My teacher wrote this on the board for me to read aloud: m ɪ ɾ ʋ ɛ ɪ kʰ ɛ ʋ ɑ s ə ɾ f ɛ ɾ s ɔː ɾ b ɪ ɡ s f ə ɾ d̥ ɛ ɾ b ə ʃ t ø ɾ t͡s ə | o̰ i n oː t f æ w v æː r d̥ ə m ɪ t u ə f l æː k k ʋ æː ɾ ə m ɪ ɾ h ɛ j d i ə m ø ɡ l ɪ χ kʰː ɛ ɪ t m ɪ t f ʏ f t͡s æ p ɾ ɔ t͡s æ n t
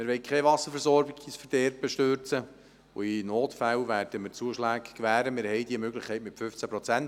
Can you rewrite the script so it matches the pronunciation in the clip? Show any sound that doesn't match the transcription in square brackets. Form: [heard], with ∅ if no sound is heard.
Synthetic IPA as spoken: m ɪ ɾ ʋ ɛ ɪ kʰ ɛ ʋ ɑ s ə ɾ f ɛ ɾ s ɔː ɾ b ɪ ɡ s f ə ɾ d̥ ɛ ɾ b ə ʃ t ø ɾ t͡s ə | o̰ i n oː t f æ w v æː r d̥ ə m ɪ [t͡s] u ə [ʃ] l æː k k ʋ æː ɾ ə m ɪ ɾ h ɛ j d i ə m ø ɡ l ɪ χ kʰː ɛ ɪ t m ɪ t f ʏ f t͡s æ p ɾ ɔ t͡s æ n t